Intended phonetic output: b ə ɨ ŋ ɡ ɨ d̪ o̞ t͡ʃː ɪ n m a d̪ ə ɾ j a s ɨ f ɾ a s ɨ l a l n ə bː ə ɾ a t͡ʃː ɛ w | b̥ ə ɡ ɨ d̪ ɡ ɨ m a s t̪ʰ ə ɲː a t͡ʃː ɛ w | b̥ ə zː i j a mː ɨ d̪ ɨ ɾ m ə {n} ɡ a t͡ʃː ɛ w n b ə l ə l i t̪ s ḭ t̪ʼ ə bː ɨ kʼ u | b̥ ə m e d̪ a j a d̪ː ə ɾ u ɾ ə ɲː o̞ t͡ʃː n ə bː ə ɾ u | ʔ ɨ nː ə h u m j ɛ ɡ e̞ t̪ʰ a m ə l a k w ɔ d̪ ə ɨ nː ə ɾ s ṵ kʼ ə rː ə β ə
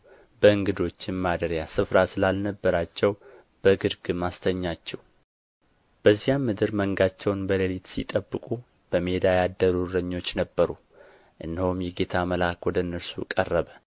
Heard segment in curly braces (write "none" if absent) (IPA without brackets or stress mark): ŋ